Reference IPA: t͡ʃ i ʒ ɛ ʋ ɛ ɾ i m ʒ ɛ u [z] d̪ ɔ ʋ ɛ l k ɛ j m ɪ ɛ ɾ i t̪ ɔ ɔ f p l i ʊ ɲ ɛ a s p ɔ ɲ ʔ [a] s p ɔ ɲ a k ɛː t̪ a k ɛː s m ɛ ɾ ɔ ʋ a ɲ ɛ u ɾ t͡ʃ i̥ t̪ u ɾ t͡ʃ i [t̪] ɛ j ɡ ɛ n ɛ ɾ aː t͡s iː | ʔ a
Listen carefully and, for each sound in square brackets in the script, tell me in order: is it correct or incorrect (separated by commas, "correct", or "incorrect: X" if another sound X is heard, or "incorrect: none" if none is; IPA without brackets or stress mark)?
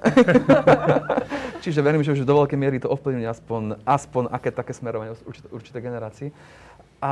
incorrect: ʒ, correct, correct